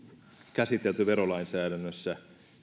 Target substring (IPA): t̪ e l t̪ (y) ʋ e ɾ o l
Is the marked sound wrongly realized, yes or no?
no